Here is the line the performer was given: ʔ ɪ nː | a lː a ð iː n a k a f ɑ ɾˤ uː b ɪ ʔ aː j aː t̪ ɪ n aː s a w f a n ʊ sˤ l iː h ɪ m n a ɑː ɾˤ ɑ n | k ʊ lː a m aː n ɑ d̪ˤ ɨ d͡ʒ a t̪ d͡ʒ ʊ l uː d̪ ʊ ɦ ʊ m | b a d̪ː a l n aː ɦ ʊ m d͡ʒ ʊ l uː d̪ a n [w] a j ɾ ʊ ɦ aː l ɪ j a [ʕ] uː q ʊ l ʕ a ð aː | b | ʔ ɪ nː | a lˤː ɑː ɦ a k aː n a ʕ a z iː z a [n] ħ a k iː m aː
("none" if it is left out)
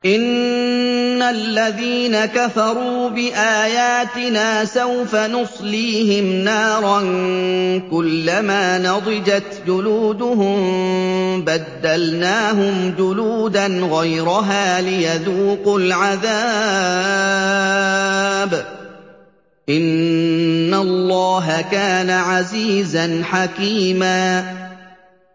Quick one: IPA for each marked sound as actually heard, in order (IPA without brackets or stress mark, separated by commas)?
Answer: ɣ, ð, n